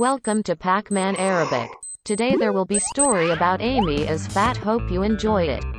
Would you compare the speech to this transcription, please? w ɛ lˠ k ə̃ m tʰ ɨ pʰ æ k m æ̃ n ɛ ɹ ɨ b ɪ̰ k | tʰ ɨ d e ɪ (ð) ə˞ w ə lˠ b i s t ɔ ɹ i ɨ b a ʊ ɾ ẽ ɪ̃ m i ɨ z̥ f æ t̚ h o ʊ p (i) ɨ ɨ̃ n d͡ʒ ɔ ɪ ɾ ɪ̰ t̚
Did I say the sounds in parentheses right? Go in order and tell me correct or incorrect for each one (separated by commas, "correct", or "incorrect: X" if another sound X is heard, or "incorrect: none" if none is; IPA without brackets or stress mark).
correct, incorrect: j